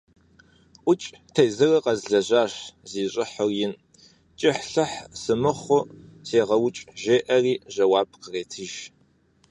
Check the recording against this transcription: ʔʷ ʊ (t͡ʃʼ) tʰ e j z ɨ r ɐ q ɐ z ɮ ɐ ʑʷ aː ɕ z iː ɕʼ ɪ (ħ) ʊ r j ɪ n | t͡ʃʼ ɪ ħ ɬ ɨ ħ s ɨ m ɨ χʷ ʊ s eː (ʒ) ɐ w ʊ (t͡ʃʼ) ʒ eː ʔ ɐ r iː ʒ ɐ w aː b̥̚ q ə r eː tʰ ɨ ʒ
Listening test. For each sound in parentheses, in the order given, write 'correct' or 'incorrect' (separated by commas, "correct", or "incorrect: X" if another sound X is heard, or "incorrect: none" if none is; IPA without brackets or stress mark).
correct, correct, incorrect: ʁ, correct